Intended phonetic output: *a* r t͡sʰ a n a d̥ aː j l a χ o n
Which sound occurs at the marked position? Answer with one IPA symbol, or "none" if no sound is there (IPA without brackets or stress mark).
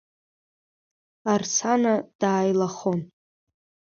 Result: a